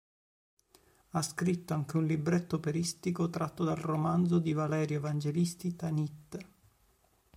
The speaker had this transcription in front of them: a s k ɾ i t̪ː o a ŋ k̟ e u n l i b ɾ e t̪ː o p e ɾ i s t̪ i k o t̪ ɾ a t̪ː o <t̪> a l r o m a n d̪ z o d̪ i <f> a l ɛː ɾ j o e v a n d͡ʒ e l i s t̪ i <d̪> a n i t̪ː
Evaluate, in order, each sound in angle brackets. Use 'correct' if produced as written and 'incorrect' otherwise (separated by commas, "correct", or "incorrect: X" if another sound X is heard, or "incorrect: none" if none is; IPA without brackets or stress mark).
incorrect: d̪, incorrect: v, incorrect: t̪